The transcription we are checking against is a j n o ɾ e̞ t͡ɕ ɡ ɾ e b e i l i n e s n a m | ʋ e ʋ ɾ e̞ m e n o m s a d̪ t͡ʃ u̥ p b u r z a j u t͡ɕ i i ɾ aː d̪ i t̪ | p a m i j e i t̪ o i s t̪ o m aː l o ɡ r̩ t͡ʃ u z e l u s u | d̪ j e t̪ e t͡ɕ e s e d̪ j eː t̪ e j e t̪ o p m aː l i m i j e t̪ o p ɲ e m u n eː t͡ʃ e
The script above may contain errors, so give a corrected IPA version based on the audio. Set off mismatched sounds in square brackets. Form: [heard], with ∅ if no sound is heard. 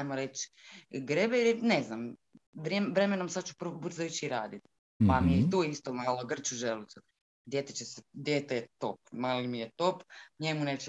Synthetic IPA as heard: a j [m] o ɾ e̞ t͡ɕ ɡ ɾ e b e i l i n e [z] n a m | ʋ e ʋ ɾ e̞ m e n o m s a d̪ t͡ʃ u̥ p b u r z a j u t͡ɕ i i ɾ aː d̪ i t̪ | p a m i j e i t̪ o i s t̪ o m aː l o ɡ r̩ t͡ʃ u [ʒ] e l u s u | d̪ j e t̪ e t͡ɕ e s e d̪ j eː t̪ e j e t̪ o p m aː l i m i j e t̪ o p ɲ e m u n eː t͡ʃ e